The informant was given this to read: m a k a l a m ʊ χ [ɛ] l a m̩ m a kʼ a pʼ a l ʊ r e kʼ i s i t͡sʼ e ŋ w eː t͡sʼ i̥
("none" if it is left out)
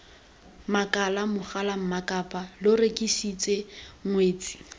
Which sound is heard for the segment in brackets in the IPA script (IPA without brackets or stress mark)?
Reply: a